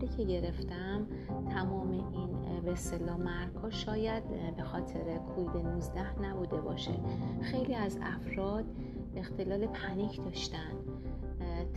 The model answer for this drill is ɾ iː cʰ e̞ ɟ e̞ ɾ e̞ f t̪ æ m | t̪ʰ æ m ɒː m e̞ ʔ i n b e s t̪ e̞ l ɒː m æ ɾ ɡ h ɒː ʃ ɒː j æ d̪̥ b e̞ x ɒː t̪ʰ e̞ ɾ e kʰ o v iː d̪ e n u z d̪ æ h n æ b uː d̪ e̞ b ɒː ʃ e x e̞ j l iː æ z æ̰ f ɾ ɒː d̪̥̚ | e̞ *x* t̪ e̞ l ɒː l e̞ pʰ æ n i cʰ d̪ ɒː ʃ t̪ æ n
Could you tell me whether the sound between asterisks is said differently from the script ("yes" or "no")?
no